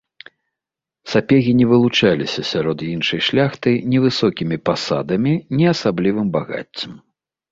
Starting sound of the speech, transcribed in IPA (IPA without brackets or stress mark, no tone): s